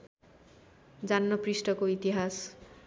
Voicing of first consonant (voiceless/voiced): voiced